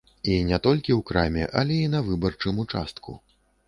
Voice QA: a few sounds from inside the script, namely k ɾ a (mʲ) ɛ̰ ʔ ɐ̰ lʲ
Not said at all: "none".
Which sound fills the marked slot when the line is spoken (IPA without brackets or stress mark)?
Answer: mʲ